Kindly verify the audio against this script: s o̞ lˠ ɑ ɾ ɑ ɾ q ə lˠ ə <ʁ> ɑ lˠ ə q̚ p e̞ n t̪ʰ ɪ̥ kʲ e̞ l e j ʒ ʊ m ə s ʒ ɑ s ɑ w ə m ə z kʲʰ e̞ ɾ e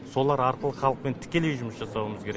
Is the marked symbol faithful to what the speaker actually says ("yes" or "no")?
no